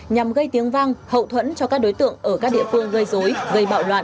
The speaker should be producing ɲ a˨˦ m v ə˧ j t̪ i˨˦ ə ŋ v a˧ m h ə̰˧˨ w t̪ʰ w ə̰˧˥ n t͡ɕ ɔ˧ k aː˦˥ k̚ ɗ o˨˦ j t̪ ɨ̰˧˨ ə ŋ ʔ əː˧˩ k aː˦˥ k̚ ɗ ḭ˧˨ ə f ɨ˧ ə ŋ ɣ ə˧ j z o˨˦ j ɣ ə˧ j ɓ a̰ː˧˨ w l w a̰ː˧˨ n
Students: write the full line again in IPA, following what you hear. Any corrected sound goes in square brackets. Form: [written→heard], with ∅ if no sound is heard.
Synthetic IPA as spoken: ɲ [a˨˦→a˨˩] m [v→ɣ] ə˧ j t̪ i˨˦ ə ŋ v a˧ [m→ŋ] h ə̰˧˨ w t̪ʰ w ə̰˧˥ n t͡ɕ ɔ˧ k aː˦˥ k̚ ɗ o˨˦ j t̪ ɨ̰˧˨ ə ŋ ʔ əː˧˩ k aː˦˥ k̚ ɗ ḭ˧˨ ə f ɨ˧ ə ŋ ɣ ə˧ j z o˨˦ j ɣ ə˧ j ɓ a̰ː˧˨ w l w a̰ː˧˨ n